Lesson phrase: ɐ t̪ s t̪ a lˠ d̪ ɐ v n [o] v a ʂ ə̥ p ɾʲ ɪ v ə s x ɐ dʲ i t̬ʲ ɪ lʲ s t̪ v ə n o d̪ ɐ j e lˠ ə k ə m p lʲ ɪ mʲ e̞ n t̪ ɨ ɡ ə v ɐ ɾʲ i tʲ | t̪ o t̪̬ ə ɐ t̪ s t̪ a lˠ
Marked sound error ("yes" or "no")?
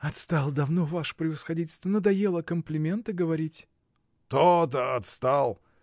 no